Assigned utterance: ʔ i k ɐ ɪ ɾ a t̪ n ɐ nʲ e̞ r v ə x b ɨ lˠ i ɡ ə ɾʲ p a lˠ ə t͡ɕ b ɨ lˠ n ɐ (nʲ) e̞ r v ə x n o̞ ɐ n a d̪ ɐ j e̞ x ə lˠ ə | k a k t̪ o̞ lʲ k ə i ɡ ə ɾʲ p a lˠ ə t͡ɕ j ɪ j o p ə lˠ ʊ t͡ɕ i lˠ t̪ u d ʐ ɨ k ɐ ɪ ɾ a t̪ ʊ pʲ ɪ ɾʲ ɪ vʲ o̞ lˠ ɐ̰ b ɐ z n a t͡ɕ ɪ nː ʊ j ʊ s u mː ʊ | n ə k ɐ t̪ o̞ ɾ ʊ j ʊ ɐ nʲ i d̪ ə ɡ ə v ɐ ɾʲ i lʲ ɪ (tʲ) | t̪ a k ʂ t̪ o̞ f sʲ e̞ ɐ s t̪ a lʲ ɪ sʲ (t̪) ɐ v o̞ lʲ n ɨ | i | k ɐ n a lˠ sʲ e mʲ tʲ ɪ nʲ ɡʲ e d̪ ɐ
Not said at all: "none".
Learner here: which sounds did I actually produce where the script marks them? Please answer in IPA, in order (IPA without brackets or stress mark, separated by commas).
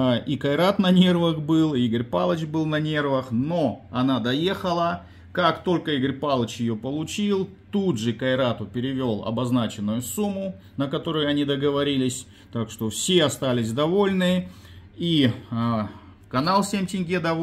nʲ, sʲ, d̪